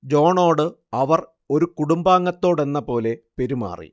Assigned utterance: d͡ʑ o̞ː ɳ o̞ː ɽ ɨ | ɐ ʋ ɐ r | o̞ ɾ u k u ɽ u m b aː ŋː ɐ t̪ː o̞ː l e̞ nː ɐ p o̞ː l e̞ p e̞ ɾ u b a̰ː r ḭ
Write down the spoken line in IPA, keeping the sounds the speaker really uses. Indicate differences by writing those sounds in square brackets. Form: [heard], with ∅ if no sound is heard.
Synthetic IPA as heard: d͡ʑ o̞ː ɳ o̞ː ɽ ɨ | ɐ ʋ ɐ r | o̞ ɾ u k u ɽ u m b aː ŋː ɐ t̪ː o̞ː [ɽ] e̞ nː ɐ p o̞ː l e̞ p e̞ ɾ u [m] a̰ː r ḭ